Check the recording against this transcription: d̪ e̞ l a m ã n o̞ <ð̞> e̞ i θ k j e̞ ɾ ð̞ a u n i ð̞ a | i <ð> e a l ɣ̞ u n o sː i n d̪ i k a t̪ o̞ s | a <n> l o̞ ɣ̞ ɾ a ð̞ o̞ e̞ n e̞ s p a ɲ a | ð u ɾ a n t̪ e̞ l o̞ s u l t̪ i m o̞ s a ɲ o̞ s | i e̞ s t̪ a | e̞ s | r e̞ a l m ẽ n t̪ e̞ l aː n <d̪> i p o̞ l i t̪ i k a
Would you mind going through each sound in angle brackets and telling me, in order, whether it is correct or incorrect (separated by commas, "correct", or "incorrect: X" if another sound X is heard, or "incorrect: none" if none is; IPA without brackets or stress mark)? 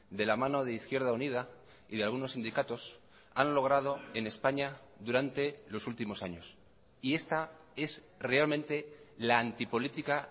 correct, correct, correct, incorrect: t̪